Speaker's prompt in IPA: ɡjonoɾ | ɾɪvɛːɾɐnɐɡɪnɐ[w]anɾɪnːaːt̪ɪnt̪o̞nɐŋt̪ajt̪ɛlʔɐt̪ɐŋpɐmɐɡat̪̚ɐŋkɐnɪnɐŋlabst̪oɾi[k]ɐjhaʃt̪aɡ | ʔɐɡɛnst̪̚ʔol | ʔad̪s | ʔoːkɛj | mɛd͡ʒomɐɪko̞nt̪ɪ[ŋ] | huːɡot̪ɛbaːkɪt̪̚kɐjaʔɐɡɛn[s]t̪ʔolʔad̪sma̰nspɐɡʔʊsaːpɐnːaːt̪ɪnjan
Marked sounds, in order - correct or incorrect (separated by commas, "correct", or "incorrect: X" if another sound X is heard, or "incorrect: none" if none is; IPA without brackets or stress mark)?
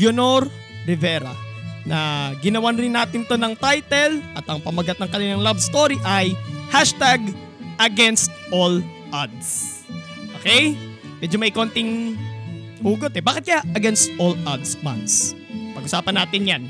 correct, incorrect: ʔ, correct, correct